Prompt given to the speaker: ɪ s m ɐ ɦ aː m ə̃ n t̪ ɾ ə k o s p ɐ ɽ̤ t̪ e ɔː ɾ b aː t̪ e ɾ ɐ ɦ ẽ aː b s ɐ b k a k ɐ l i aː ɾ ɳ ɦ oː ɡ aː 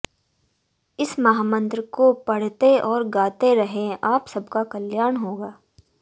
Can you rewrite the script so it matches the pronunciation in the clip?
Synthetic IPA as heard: ɪ s m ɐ ɦ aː m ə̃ n t̪ ɾ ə k o p ɐ ɽ̤ t̪ e ɔː ɾ ɡ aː t̪ e ɾ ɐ ɦ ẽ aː p s ɐ b k a k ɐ l j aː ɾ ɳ ɦ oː ɡ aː